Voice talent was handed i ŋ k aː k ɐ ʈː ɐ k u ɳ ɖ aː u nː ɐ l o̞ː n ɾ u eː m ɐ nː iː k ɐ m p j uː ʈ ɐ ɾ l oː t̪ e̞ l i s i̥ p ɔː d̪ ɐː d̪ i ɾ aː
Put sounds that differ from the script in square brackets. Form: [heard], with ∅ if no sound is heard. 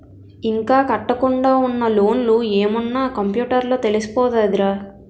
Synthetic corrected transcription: i ŋ k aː k ɐ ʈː ɐ k u ɳ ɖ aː u nː ɐ l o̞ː n [l] u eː m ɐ nː [aː] k ɐ m p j uː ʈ ɐ ɾ l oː t̪ e̞ l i s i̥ p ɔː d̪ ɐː d̪ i ɾ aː